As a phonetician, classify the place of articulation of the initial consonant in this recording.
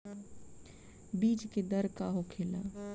labial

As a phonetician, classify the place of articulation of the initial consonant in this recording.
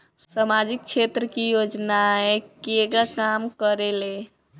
alveolar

